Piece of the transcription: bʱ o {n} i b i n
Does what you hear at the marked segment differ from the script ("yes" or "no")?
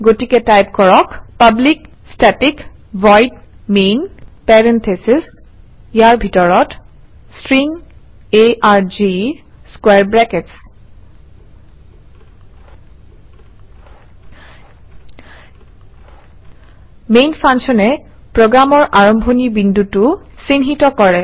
no